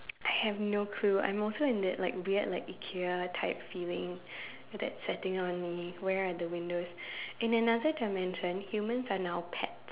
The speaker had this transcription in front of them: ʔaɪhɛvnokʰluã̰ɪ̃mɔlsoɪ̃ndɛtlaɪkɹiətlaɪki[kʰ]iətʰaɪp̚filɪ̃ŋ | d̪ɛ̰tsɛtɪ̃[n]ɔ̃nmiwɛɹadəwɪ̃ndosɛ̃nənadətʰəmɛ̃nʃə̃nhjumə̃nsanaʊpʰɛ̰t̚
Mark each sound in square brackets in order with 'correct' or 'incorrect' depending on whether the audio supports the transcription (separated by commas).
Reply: correct, incorrect